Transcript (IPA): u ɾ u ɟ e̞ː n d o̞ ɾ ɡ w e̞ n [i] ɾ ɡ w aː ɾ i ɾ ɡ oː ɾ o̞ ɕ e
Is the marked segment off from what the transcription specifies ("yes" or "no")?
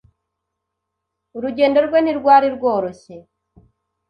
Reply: no